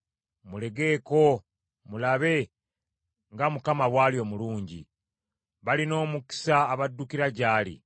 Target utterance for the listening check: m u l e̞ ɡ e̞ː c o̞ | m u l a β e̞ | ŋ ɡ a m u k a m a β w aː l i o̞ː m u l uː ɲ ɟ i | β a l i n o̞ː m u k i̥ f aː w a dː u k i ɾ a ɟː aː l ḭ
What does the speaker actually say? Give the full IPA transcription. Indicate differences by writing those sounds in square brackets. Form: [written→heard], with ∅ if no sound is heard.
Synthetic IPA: m u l e̞ ɡ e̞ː [c→k] o̞ | m u l a β e̞ | ŋ ɡ a m u k a m a β w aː l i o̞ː m u l uː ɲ ɟ i | β a l i n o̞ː m u k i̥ [f→s] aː [w→β] a dː u k i ɾ a [ɟː→ɟ] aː l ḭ